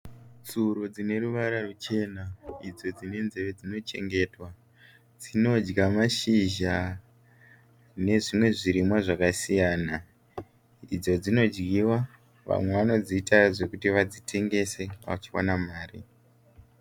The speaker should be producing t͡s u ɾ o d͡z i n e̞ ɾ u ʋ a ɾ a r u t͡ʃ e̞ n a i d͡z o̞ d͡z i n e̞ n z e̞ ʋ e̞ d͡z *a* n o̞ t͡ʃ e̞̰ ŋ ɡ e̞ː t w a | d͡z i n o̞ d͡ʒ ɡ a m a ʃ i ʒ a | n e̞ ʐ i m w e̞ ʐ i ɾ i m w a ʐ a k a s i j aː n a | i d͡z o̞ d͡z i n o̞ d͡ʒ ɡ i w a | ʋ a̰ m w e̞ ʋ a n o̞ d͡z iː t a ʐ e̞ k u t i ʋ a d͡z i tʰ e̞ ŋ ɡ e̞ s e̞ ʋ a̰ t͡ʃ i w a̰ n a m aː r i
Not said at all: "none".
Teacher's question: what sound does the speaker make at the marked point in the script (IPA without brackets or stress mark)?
i